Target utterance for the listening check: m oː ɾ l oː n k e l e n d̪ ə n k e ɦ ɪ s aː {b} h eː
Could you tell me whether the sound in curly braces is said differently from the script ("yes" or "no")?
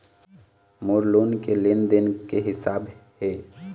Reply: no